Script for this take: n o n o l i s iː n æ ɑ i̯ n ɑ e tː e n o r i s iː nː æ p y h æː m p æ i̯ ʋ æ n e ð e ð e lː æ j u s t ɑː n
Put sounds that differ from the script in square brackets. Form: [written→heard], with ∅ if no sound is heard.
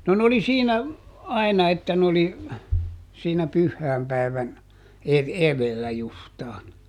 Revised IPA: n o n o l i s iː n æ ɑ i̯ n ɑ e tː [e→æ] n o [r→l] i s iː [nː→n] æ p y [h→hː] æː m p æ i̯ ʋ æ n e ð e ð e lː æ j u s t ɑː n